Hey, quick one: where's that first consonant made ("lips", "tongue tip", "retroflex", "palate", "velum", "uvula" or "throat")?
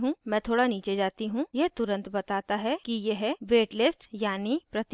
throat